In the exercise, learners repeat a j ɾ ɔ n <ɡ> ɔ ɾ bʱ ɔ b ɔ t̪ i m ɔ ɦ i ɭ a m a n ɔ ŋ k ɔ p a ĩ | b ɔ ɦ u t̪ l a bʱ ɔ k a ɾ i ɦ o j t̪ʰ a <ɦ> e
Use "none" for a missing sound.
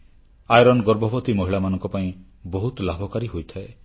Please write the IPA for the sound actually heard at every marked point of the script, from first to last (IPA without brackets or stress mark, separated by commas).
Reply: ɡ, none